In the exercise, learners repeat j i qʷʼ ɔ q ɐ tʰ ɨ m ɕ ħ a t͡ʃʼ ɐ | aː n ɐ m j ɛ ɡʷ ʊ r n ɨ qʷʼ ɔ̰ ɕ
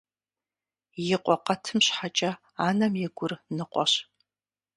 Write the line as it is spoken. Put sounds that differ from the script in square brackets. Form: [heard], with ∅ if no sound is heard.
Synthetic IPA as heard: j [ɪ] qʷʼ ɔ q ɐ tʰ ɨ m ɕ ħ a t͡ʃʼ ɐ | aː n ɐ m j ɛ ɡʷ ʊ r n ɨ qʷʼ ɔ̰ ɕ